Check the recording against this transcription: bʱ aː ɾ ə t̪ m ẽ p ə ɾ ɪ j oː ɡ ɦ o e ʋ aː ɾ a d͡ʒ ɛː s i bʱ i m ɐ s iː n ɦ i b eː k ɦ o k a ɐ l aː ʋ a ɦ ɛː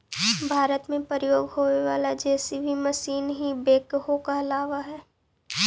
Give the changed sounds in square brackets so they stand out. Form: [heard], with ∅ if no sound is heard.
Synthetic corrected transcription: bʱ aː ɾ ə t̪ m ẽ p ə ɾ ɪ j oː ɡ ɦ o e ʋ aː [l] a d͡ʒ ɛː s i bʱ i m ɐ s iː n ɦ i b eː k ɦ o k a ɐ l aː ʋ a ɦ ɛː